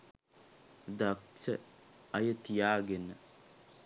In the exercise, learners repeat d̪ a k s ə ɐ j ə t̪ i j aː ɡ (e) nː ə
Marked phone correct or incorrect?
correct